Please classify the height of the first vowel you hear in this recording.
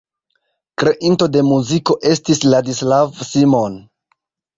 mid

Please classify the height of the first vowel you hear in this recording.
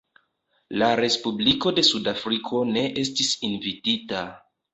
low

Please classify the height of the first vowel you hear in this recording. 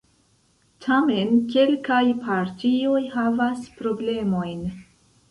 low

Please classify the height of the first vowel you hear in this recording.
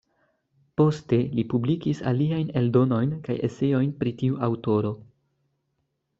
mid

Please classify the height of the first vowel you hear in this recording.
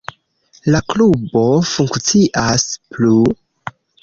low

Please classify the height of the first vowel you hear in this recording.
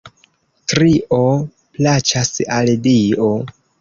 high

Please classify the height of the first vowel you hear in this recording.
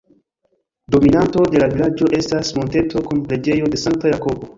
mid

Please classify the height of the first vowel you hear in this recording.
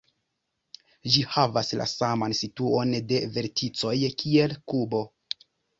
high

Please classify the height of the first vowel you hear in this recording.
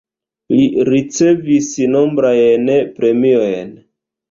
high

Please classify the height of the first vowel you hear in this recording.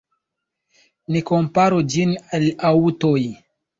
high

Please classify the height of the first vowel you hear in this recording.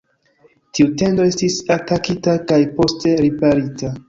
high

